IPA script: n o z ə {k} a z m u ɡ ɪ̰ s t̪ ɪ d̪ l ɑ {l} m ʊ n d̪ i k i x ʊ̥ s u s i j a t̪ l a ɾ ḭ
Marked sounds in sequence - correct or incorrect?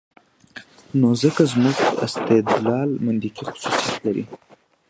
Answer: correct, correct

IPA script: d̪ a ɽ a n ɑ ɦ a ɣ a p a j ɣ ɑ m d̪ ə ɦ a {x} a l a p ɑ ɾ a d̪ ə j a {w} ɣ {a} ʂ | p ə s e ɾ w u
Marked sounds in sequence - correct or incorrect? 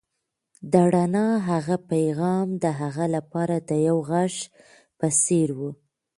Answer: incorrect: ɣ, correct, correct

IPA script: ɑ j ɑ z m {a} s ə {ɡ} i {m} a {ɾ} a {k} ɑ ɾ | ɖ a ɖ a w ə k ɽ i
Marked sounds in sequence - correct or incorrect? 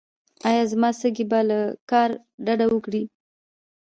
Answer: incorrect: ɑ, correct, incorrect: b, incorrect: l, correct

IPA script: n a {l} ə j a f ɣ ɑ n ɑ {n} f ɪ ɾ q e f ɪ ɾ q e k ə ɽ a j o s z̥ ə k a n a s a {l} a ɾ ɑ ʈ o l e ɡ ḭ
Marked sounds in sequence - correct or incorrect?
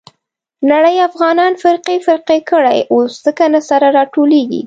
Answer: incorrect: ɽ, correct, incorrect: ɾ

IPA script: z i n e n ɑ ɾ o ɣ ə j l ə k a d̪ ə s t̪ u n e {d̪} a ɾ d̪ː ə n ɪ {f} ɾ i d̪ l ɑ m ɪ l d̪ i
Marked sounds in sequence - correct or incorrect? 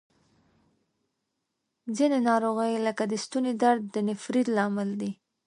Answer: correct, correct

